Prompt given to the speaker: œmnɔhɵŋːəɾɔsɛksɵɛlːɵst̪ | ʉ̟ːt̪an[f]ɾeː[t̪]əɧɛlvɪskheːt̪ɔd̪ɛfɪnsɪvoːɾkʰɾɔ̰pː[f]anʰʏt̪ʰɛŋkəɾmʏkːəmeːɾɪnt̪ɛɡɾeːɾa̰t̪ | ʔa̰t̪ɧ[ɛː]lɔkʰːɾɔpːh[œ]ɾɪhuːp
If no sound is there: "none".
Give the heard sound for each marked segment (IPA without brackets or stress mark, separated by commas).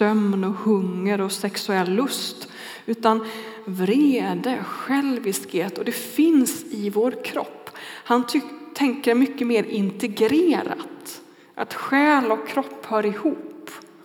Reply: v, d̪, h, ɛː, œː